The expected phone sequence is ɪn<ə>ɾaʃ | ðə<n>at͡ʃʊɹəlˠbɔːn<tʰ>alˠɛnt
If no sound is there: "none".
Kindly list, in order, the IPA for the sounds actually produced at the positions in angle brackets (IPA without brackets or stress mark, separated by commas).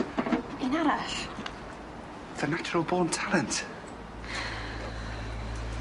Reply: a, n, tʰ